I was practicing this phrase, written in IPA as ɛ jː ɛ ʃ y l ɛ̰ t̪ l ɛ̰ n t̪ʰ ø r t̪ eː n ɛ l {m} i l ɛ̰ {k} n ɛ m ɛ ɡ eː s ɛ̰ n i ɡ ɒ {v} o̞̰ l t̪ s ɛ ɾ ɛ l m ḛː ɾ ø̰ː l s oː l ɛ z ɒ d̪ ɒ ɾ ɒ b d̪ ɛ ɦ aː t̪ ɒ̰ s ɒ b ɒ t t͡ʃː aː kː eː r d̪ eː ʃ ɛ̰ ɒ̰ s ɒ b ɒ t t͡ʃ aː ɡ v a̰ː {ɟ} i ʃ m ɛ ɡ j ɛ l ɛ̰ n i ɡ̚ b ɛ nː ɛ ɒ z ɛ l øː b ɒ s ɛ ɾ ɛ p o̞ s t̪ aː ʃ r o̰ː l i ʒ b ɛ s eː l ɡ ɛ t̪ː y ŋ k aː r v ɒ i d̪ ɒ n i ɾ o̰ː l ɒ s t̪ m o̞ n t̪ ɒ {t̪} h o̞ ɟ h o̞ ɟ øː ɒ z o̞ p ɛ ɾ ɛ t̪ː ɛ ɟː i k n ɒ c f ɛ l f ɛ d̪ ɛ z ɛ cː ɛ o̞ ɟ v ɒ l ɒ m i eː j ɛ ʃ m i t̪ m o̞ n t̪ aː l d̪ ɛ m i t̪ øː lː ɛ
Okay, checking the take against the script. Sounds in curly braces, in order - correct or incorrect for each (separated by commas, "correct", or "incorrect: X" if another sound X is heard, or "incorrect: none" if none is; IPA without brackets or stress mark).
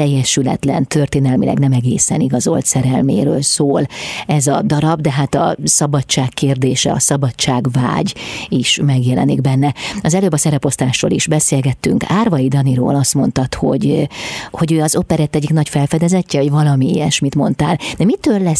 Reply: correct, incorrect: ɡ, incorrect: z, correct, correct